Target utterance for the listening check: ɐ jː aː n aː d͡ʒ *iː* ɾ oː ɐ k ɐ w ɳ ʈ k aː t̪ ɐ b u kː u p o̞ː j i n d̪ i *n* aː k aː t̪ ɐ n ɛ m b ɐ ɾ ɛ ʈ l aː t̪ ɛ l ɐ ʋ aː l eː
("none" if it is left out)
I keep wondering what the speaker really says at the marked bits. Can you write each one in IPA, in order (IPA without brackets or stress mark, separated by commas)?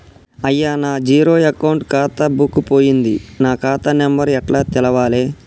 iː, n